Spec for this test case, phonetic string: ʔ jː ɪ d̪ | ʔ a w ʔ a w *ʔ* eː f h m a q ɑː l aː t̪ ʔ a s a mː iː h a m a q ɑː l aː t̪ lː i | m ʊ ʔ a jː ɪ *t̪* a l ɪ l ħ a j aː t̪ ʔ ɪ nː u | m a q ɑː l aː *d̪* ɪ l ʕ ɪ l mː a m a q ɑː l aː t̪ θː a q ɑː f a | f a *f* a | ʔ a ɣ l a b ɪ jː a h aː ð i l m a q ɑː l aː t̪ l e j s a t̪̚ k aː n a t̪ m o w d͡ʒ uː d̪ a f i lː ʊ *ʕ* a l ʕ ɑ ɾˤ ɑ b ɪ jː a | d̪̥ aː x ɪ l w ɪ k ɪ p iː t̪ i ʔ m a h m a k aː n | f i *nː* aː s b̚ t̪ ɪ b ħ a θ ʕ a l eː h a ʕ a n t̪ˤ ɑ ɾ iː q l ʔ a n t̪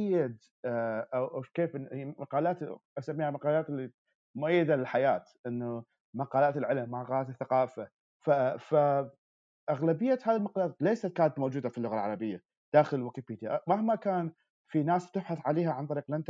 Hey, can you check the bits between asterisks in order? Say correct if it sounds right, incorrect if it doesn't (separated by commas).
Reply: incorrect, incorrect, incorrect, correct, incorrect, incorrect